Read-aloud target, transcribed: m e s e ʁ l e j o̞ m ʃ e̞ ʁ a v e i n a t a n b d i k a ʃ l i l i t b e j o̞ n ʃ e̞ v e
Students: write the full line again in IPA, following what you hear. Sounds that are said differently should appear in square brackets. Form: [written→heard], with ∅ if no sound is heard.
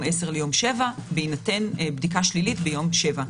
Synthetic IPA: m e s e ʁ l e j o̞ m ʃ e̞ [ʁ→v] a [v→b] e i n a t [a→e] n b d i k a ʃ l i l i t b e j o̞ [n→m] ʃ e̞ v [e→a]